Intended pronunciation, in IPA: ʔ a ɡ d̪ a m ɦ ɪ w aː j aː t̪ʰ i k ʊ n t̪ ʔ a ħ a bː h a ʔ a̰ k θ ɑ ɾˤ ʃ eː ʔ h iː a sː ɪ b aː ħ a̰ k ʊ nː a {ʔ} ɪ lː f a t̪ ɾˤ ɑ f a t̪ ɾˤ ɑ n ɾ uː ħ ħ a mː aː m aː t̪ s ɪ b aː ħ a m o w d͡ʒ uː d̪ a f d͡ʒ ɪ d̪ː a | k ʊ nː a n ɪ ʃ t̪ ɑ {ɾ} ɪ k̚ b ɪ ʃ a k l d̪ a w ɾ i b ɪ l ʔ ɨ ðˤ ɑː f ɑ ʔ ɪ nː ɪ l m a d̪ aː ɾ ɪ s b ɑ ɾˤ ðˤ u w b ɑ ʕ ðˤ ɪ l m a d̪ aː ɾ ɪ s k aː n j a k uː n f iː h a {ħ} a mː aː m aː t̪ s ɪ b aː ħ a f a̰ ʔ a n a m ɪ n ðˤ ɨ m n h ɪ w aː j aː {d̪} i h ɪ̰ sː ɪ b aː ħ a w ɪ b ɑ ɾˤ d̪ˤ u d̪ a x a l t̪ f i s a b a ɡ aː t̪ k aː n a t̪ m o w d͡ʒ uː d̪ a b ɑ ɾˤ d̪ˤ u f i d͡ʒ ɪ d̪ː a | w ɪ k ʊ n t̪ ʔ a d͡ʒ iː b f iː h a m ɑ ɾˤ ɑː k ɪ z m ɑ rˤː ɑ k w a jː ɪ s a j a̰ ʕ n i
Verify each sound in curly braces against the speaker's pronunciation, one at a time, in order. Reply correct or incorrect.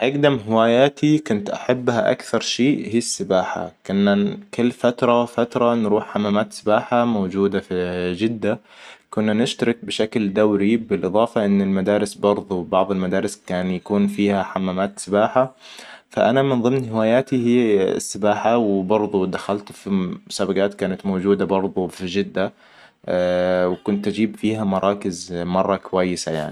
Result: incorrect: k, correct, correct, incorrect: t̪

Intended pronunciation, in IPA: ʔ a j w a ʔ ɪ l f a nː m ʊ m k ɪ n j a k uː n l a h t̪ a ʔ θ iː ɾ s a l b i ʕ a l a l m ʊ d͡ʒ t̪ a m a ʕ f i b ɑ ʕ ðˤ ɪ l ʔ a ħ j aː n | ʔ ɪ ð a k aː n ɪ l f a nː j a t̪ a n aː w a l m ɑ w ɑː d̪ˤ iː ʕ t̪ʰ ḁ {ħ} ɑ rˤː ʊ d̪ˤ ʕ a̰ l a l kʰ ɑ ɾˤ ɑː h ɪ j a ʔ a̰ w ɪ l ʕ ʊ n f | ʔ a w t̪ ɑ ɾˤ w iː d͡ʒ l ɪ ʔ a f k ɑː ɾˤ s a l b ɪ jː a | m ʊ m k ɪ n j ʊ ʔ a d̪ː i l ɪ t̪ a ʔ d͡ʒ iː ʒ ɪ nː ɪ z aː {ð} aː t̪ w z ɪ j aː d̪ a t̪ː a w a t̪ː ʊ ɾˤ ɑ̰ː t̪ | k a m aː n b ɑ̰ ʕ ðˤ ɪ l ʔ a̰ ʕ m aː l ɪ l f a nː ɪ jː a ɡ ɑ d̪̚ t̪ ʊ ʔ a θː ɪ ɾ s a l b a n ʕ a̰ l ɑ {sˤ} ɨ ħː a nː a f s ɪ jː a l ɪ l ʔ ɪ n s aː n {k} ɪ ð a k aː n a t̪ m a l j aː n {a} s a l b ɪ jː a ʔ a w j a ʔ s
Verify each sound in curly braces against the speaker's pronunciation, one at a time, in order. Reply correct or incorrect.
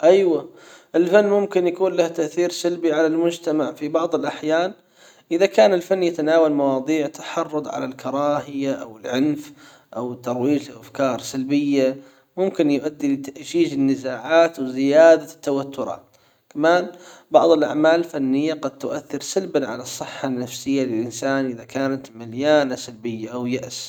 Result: correct, incorrect: ʕ, incorrect: sˤː, incorrect: ʔ, correct

